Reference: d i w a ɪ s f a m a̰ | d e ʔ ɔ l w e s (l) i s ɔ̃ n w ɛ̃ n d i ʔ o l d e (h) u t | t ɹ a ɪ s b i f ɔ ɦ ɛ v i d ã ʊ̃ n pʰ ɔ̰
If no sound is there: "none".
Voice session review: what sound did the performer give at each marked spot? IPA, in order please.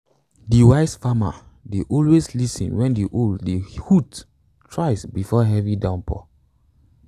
l, h

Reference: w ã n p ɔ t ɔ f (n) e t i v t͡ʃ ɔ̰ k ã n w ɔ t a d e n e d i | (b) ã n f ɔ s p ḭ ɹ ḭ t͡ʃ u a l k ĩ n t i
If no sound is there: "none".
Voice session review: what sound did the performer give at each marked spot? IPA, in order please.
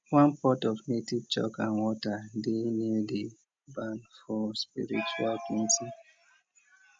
n, b

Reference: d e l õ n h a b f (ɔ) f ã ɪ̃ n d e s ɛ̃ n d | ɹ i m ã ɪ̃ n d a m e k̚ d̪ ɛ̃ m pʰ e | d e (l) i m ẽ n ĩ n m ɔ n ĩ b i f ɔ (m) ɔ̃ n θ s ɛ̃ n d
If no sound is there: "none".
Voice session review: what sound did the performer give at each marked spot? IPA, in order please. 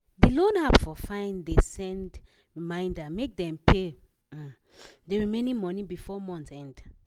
ɔ, ɹ, m

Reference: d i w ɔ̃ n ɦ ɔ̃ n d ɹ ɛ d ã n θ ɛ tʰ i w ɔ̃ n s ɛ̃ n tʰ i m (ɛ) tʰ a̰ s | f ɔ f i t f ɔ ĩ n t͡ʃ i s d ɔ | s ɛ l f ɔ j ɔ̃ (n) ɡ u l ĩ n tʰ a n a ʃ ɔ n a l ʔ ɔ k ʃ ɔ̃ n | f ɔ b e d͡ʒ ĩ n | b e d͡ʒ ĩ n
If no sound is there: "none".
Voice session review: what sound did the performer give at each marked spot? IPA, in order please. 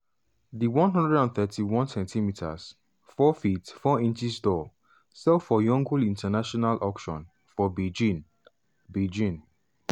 i, ŋ

